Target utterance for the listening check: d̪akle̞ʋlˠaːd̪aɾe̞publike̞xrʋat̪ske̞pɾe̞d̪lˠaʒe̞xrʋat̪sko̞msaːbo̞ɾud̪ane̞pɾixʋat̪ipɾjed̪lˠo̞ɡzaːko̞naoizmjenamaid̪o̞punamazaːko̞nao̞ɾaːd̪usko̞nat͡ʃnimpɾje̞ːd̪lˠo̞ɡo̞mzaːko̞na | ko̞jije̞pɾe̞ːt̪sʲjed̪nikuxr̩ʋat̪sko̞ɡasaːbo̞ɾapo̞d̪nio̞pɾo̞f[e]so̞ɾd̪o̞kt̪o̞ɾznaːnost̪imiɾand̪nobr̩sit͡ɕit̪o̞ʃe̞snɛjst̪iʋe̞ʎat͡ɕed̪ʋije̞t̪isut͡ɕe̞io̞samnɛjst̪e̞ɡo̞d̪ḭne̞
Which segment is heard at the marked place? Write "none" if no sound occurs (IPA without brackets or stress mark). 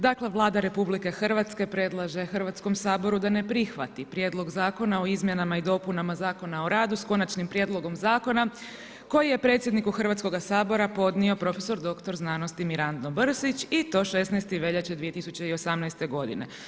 e